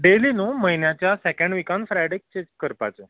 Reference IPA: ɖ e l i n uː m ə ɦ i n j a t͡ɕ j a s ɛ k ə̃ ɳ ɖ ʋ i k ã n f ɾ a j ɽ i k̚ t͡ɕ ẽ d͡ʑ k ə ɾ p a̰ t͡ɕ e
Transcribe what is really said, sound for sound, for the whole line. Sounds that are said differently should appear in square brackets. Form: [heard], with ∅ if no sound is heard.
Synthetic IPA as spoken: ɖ e l i n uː m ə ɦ i n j a t͡ɕ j a s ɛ k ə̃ ɳ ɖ ʋ i k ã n f ɾ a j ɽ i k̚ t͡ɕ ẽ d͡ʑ k ə ɾ p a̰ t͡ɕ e